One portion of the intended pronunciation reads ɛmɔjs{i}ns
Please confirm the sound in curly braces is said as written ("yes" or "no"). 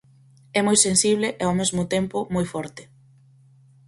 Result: no